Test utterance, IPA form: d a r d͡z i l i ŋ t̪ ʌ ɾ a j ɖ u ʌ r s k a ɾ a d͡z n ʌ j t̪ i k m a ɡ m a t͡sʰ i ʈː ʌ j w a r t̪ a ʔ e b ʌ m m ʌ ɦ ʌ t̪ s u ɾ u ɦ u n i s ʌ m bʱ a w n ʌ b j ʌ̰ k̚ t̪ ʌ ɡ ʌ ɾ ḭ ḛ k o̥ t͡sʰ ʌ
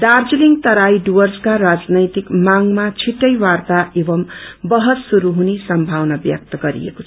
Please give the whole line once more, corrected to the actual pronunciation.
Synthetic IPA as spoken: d a r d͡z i l i ŋ t̪ ʌ ɾ a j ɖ u ʌ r s k a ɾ a d͡z n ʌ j t̪ i k m a ŋ m a t͡sʰ i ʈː ʌ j w a r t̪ a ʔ e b ʌ m b ʌ ɦ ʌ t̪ s u ɾ u ɦ u n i s ʌ m bʱ a w n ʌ b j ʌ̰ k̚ t̪ ʌ ɡ ʌ ɾ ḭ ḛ k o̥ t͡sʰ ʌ